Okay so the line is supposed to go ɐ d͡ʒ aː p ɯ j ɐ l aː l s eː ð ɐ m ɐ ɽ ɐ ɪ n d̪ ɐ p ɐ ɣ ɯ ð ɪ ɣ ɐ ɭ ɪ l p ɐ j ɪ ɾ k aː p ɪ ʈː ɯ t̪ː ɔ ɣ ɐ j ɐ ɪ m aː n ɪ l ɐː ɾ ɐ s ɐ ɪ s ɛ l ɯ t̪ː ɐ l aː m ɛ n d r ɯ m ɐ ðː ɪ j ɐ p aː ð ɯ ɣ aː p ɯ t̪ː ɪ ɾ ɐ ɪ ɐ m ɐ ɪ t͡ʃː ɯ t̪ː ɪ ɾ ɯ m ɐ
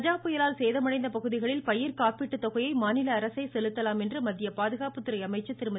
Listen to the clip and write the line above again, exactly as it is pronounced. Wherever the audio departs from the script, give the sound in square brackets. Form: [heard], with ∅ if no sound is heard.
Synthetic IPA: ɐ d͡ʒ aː p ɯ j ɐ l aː l s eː ð ɐ m ɐ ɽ ɐ ɪ n d̪ ɐ p ɐ ɣ ɯ ð ɪ ɣ ɐ ɭ ɪ l p ɐ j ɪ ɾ k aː p ɪ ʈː ɯ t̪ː ɔ ɣ ɐ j ɐ ɪ m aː n ɪ l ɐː ɾ ɐ s ɐ ɪ s ɛ l ɯ t̪ː ɐ l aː m ɛ n d r ɯ m ɐ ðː ɪ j ɐ p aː ð ɯ ɣ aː p ɯ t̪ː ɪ ɾ ɐ ɪ ɐ m ɐ ɪ t͡ʃː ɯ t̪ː ɪ ɾ ɯ m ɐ